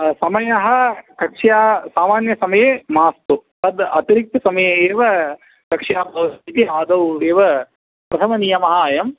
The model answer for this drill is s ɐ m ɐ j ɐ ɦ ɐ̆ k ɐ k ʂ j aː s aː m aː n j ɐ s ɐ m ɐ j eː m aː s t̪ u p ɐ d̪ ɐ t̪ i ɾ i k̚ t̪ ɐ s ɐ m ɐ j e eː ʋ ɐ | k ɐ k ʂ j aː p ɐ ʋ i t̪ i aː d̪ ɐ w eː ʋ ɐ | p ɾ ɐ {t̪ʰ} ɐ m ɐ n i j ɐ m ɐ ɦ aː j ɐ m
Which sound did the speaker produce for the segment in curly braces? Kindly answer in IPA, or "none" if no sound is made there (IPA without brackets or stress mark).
t̪ʰ